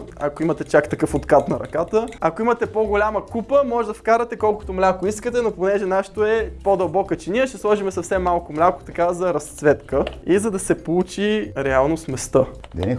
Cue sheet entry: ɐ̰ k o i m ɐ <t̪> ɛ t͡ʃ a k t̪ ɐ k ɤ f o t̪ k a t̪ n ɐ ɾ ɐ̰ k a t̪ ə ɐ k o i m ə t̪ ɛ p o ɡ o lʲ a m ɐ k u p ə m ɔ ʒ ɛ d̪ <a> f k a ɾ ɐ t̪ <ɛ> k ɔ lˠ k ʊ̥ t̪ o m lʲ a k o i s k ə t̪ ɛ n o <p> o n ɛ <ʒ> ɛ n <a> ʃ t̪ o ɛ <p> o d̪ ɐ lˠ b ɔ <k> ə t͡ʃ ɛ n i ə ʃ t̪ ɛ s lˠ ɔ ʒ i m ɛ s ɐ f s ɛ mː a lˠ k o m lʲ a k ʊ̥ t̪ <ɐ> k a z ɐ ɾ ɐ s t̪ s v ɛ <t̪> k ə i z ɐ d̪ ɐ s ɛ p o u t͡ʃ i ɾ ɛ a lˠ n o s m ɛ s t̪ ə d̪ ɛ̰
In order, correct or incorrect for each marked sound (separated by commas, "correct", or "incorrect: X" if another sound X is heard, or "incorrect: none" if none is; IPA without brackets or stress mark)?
correct, incorrect: ɐ, correct, correct, correct, correct, correct, correct, correct, correct